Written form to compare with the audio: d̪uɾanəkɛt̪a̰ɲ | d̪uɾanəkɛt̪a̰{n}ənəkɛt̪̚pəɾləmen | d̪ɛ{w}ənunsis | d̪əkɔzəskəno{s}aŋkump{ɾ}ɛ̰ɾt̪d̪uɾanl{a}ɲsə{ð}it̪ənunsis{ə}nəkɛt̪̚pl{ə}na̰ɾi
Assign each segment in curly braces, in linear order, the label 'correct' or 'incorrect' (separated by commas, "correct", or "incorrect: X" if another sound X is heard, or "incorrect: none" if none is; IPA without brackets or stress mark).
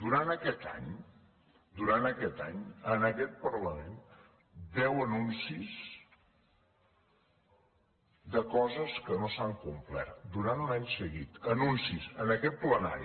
incorrect: ɲ, correct, correct, incorrect: l, correct, incorrect: ɣ, correct, correct